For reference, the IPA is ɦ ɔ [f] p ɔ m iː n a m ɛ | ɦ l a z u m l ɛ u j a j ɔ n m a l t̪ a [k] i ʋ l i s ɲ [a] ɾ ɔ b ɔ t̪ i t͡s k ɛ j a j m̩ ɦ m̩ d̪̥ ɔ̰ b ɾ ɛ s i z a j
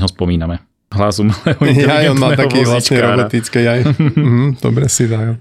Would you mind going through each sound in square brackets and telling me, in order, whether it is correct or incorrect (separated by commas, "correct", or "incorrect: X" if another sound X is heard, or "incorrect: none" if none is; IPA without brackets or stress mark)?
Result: incorrect: s, correct, incorrect: ɛ